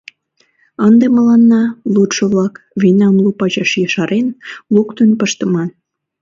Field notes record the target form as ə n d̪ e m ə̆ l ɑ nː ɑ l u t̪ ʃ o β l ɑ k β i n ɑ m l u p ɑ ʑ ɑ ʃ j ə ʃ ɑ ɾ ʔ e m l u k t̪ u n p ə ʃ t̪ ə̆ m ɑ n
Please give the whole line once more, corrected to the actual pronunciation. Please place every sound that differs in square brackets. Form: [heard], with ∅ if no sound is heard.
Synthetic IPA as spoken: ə n d̪ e m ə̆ l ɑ nː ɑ l u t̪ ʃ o β l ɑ k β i n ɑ m l u p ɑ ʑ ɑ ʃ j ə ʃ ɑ ɾ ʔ e [n] l u k t̪ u n p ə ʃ t̪ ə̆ m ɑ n